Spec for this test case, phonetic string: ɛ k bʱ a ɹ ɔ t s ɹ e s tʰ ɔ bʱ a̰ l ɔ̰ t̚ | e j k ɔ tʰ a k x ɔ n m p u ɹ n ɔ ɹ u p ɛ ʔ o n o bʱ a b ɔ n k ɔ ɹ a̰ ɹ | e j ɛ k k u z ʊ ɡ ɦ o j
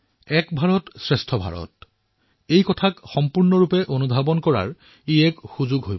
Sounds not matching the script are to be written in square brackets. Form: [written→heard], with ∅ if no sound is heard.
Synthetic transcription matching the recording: ɛ k bʱ a ɹ ɔ t s ɹ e s tʰ ɔ bʱ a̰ [l→ɹ] ɔ̰ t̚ | e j k ɔ tʰ a k x ɔ [n→∅] m p u ɹ n ɔ ɹ u p ɛ ʔ o n [o→u] bʱ a b ɔ n k ɔ ɹ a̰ ɹ | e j ɛ k [k→x] u z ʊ ɡ ɦ o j